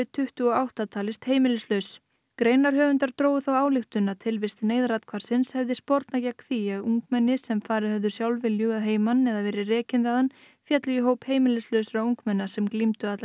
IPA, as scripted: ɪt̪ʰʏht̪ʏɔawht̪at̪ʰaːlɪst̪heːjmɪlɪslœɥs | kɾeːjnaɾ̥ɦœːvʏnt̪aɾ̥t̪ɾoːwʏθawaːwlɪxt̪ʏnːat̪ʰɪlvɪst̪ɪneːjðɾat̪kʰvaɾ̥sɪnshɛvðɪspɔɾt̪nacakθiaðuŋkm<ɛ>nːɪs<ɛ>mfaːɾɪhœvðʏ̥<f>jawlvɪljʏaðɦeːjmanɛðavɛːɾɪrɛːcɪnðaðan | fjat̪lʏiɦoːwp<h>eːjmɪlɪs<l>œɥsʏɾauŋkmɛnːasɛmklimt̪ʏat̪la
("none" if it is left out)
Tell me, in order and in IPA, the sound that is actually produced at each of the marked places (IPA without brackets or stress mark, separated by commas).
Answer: ɛ, ɛ, s, h, l